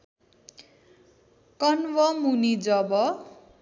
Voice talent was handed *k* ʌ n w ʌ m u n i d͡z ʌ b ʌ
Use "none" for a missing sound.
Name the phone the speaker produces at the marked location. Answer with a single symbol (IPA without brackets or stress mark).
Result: k